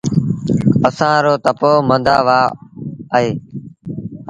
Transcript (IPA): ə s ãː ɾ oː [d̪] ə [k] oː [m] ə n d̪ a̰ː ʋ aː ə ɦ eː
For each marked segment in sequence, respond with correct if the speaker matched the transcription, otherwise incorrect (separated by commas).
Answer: incorrect, incorrect, correct